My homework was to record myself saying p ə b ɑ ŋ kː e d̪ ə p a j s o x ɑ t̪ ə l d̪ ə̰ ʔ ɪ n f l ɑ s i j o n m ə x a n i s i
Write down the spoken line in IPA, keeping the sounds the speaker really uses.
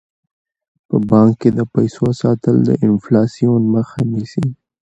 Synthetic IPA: p ə b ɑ ŋ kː e d̪ ə p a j s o s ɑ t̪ ə l d̪ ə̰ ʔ ɪ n f l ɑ s i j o n m ə x a n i s i